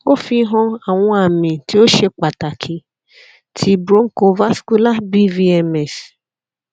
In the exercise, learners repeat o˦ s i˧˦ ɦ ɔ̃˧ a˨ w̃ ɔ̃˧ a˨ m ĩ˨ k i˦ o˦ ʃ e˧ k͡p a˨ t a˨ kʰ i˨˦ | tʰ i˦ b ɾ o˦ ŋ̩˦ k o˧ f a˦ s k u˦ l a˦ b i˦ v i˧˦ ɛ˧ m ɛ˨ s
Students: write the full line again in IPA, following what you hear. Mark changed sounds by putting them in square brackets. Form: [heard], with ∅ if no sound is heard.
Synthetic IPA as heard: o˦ [f] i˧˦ ɦ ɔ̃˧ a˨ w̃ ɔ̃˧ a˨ m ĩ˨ [t] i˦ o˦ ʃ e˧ k͡p a˨ t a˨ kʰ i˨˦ | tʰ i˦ b ɾ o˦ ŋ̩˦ k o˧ [v] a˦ s k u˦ l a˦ b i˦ v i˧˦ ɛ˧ m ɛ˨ s